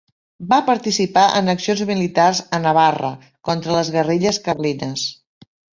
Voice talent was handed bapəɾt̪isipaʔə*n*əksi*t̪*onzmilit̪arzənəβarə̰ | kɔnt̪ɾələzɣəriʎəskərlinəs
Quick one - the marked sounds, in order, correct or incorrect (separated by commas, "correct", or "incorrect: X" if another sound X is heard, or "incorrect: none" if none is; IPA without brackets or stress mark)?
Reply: correct, incorrect: none